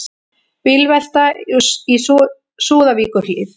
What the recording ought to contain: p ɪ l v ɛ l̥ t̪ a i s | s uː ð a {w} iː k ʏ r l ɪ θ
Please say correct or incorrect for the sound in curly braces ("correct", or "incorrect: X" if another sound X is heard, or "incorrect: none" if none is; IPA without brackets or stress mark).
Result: incorrect: v